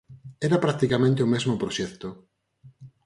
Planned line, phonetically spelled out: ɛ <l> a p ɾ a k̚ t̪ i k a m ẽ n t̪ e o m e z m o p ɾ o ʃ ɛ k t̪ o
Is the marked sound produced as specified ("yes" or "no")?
no